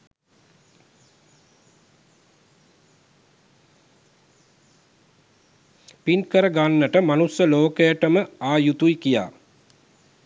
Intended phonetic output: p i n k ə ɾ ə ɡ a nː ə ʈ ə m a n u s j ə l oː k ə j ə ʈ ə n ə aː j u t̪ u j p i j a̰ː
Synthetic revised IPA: p i n k ə ɾ ə ɡ a nː ə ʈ ə m a n u s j ə l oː k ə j ə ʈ ə m ə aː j u t̪ u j k i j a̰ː